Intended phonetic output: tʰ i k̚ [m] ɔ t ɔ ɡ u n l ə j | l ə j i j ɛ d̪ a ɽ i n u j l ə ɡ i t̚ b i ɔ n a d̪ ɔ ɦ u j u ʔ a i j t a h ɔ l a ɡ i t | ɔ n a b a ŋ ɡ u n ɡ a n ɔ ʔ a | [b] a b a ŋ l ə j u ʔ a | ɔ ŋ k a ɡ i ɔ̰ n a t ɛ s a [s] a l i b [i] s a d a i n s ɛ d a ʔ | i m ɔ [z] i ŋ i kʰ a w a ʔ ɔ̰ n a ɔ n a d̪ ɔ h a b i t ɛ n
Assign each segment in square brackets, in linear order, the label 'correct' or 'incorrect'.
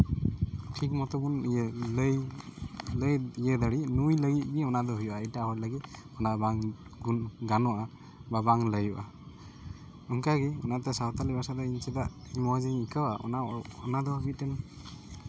correct, correct, incorrect: t, incorrect: a, correct

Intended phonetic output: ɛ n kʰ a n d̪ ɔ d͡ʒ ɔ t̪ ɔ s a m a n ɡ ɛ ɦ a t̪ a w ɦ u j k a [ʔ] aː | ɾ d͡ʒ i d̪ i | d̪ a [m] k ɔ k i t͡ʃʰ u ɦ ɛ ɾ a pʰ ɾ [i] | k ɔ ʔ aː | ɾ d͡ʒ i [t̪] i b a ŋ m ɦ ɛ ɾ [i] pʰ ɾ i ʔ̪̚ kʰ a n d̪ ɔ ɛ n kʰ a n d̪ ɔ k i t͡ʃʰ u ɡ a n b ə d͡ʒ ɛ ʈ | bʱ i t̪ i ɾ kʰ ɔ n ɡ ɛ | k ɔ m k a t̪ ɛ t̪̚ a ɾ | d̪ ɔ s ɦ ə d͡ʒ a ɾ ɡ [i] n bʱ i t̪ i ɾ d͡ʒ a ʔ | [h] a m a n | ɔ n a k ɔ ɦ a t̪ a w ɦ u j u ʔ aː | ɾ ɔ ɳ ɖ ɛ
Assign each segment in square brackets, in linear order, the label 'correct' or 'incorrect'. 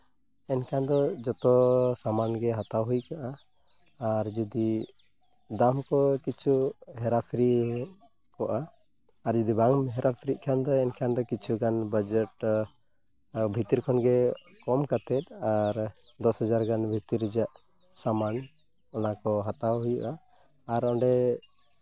correct, correct, correct, incorrect: d̪, incorrect: a, incorrect: a, incorrect: s

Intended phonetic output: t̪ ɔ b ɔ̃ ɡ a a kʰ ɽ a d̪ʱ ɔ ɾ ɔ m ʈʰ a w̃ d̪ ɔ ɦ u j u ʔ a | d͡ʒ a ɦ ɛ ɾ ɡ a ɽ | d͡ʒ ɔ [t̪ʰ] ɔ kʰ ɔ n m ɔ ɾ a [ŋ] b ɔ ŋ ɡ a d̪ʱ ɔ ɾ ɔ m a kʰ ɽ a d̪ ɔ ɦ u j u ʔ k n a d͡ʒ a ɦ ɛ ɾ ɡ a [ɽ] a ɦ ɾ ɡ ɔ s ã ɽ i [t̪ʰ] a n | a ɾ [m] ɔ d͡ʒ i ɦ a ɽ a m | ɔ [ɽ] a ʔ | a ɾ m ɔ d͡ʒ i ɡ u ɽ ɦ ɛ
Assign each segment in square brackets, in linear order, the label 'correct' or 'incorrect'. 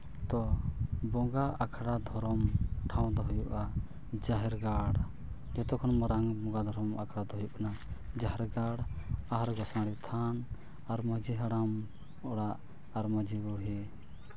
incorrect: t̪, correct, correct, correct, correct, correct

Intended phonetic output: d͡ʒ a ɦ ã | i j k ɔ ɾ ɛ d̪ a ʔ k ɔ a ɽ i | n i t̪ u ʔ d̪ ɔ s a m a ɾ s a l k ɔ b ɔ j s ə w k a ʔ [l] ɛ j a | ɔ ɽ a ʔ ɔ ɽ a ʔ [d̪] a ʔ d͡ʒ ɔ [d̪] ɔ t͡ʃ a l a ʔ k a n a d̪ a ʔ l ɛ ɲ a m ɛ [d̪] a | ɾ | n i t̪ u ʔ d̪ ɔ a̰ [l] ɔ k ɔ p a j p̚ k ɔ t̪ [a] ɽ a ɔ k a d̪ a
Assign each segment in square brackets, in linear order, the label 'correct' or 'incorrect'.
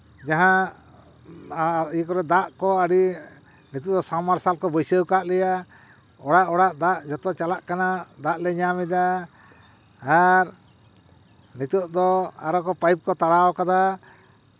correct, correct, incorrect: t̪, correct, incorrect: ɾ, correct

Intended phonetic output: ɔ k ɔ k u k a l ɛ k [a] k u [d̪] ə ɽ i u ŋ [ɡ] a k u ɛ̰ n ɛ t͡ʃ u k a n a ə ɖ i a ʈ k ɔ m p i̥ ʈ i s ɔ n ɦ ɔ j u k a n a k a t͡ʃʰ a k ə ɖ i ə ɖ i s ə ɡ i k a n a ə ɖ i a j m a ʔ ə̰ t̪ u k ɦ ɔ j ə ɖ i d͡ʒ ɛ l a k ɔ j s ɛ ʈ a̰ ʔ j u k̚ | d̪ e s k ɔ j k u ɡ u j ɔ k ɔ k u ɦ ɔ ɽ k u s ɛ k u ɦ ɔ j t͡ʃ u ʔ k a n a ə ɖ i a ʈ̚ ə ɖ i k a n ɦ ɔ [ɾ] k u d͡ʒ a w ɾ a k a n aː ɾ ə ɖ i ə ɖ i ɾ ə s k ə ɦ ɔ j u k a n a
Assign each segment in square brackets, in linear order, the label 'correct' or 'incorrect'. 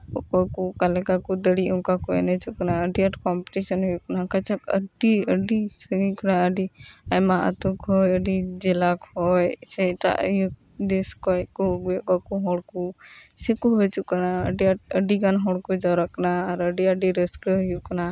correct, correct, incorrect: k, incorrect: ɽ

